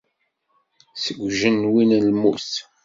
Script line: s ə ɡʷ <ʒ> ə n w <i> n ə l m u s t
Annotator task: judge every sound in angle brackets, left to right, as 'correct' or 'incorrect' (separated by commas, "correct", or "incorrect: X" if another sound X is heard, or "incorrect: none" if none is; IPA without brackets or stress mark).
correct, correct